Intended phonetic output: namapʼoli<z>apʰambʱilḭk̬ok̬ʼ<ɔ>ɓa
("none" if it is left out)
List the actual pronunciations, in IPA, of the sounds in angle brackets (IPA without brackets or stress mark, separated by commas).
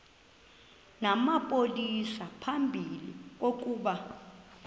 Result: s, u